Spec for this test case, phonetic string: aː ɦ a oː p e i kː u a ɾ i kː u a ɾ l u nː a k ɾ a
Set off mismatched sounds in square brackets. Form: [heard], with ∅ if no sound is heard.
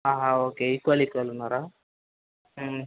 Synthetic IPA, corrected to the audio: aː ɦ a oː [k] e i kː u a [l] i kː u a [∅] l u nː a [∅] ɾ a